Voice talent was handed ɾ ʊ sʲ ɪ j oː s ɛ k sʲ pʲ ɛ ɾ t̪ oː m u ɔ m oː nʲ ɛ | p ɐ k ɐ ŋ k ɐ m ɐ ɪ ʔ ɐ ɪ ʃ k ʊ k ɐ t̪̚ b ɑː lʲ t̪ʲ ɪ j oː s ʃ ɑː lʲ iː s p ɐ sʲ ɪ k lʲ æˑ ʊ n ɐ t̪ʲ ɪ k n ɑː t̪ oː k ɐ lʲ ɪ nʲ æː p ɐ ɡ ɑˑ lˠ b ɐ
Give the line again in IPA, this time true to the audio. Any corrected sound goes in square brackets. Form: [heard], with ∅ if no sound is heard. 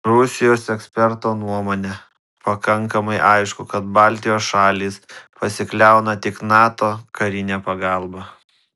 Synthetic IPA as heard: ɾ ʊ sʲ ɪ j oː s ɛ k sʲ pʲ ɛ ɾ t̪ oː [n] u ɔ m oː nʲ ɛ | p ɐ k ɐ ŋ k ɐ m ɐ ɪ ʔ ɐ ɪ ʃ k ʊ k ɐ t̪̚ b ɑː lʲ t̪ʲ ɪ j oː s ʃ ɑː lʲ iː s p ɐ sʲ ɪ k lʲ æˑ ʊ n ɐ t̪ʲ ɪ k n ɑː t̪ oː k ɐ [ɾʲ] ɪ nʲ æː p ɐ ɡ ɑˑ lˠ b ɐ